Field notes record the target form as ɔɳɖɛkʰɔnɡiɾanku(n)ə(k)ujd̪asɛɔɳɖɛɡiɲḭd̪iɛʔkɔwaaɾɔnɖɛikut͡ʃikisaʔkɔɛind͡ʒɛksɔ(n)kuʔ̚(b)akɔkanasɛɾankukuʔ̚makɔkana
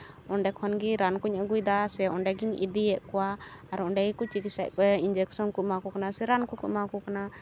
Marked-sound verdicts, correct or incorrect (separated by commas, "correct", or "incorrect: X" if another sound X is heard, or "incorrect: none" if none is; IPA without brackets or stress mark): incorrect: ɲ, incorrect: ɡ, correct, incorrect: m